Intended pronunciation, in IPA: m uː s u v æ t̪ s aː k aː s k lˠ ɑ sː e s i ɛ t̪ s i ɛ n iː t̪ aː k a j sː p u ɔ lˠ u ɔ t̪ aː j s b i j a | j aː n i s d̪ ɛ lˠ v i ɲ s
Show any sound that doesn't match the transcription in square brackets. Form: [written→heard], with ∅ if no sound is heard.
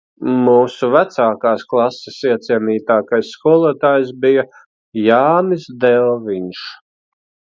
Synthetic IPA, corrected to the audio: m uː s u v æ t̪ s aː k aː s k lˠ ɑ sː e s i ɛ t̪ s i ɛ n iː t̪ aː k a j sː [p→k] u ɔ lˠ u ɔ t̪ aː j s b i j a | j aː n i s d̪ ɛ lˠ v i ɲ [s→ʃ]